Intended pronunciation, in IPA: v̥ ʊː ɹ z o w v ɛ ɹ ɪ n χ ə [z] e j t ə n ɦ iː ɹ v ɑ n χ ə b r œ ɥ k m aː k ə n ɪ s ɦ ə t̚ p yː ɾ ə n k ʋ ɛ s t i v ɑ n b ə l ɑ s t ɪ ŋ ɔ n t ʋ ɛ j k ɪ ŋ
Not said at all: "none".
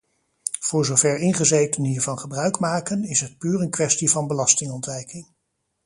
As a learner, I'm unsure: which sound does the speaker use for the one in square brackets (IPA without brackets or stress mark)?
z